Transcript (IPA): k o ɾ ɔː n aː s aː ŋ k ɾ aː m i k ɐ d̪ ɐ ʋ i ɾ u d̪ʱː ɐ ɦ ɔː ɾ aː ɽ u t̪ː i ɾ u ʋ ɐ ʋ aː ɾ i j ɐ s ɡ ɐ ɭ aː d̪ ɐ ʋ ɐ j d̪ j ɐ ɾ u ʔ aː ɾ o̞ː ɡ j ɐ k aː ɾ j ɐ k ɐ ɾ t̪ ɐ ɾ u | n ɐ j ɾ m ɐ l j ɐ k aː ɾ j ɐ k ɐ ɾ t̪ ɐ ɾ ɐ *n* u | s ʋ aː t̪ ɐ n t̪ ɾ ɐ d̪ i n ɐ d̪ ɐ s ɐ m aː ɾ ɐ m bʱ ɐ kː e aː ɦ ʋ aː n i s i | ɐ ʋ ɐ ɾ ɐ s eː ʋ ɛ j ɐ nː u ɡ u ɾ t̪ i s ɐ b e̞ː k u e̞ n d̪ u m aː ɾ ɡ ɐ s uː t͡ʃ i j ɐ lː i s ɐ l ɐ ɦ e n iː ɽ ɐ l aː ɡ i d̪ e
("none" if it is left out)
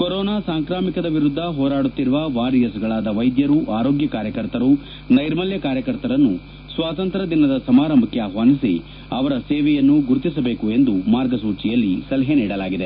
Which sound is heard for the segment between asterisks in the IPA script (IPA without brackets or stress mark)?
nː